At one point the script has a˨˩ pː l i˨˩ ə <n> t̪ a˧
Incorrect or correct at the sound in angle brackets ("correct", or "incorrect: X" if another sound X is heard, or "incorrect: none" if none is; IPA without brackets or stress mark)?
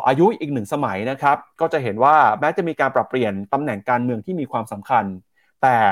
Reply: correct